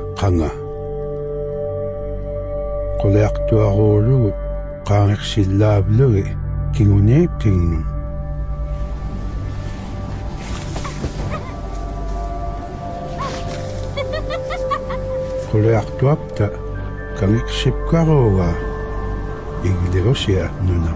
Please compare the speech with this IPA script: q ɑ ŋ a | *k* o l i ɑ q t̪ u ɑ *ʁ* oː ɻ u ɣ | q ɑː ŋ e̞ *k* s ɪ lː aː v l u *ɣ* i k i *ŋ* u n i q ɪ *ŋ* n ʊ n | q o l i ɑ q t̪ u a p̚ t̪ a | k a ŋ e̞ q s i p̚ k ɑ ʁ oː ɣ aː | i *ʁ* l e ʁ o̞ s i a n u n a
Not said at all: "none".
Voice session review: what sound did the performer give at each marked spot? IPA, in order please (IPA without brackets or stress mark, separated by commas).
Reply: q, ʁ, q, ɣ, ŋ, ŋ, ɣ